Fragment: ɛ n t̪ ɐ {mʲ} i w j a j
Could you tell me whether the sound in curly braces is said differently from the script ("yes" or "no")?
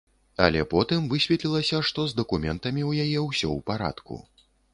no